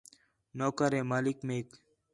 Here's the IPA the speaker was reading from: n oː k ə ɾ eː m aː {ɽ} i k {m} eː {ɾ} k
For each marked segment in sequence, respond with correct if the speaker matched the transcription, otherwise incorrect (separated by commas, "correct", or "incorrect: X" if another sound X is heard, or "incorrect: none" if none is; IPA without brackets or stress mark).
incorrect: l, correct, incorrect: none